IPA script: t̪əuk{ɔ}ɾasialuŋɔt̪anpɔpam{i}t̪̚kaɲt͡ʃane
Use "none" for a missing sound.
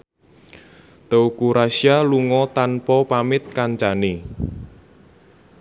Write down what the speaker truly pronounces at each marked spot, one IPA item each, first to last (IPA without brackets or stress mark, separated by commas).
u, ɪ